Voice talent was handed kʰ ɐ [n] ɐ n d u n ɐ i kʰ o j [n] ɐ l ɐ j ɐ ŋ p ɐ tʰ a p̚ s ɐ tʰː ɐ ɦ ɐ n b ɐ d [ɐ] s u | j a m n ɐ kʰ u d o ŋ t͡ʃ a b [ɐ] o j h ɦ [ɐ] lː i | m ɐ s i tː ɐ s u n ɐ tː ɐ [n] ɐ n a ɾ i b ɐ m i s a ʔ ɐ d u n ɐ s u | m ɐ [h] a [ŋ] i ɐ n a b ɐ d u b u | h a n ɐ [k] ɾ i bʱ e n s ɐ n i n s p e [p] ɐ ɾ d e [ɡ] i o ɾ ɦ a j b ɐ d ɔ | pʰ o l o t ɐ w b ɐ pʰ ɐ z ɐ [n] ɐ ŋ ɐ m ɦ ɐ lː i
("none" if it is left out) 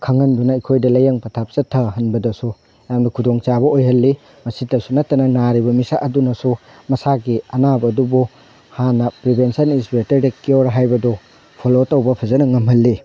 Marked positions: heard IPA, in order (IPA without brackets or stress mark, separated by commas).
ŋ, d, ɐ, ɐ, ɐ, n, s, ɡ, p, t, k, n